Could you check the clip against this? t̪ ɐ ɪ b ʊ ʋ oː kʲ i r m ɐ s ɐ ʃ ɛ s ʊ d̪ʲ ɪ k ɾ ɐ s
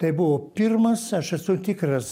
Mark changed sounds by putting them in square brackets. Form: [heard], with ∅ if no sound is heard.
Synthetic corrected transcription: t̪ ɐ ɪ b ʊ ʋ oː [pʲ] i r m ɐ s ɐ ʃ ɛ s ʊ [t̪ʲ] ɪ k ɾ ɐ s

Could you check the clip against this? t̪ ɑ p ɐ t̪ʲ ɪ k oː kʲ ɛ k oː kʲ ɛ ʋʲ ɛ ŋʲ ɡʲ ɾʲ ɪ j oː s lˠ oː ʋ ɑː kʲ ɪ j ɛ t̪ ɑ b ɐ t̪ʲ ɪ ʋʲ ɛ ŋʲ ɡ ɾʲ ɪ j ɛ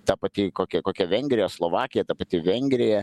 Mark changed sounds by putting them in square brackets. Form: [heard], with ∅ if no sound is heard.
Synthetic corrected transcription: t̪ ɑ p ɐ t̪ʲ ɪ k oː kʲ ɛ k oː kʲ ɛ ʋʲ ɛ ŋʲ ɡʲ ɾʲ ɪ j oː s lˠ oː ʋ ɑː kʲ ɪ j ɛ t̪ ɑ [p] ɐ t̪ʲ ɪ ʋʲ ɛ ŋʲ ɡ ɾʲ ɪ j ɛ

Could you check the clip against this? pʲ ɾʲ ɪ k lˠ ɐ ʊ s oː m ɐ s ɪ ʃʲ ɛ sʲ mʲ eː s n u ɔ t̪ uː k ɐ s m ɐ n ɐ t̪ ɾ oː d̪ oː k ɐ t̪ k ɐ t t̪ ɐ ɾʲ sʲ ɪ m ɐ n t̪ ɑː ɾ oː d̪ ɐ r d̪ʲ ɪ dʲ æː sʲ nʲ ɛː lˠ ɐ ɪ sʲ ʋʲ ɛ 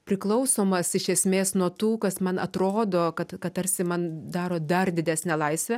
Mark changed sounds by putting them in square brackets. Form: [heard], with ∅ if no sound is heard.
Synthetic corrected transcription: pʲ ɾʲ ɪ k lˠ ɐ ʊ s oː m ɐ s ɪ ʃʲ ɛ sʲ mʲ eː s n u ɔ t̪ uː k ɐ s m ɐ n ɐ t̪ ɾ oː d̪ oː k ɐ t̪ k ɐ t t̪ ɐ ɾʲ sʲ ɪ m ɐ n [d̪] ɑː ɾ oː d̪ ɐ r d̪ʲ ɪ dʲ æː sʲ nʲ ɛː lˠ ɐ ɪ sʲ ʋʲ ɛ

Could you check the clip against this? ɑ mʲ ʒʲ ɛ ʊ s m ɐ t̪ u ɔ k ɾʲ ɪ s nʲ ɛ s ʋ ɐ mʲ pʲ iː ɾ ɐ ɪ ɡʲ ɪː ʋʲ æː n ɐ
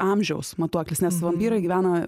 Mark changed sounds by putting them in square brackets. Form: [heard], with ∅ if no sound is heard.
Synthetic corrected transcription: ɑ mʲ ʒʲ ɛ ʊ s m ɐ t̪ u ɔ k [lʲ] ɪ s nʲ ɛ s ʋ ɐ mʲ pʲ iː ɾ ɐ ɪ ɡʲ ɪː ʋʲ æː n ɐ

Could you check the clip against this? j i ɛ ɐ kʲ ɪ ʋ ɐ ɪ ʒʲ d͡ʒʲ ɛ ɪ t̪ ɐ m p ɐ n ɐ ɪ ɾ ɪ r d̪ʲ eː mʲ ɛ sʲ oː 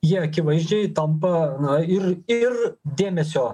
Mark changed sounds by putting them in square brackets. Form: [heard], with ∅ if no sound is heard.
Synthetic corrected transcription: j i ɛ ɐ kʲ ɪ ʋ ɐ ɪ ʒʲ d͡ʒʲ ɛ ɪ t̪ ɐ m p ɐ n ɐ ɪ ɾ ɪ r d̪ʲ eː mʲ ɛ sʲ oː

